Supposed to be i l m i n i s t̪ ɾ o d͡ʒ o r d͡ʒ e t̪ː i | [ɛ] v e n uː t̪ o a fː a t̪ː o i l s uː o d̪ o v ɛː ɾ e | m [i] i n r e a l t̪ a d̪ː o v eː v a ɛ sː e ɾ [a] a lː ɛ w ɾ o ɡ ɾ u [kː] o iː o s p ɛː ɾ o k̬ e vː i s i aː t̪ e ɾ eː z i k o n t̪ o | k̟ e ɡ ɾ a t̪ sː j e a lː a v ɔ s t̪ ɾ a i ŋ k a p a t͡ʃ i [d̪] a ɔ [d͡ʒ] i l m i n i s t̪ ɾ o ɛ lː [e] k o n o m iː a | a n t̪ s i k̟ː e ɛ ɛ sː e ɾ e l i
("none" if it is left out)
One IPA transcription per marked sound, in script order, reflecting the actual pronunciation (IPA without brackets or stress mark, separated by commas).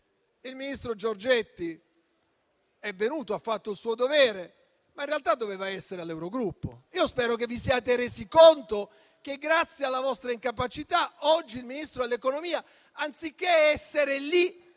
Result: ɛ, a, e, pː, t̪, d͡ʒː, e